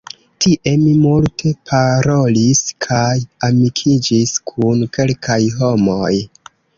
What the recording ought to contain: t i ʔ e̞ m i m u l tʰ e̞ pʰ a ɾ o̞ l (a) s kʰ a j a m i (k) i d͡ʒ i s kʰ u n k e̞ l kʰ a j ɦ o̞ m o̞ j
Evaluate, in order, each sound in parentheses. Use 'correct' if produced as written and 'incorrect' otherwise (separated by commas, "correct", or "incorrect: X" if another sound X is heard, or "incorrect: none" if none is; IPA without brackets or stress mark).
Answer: incorrect: i, incorrect: kʰ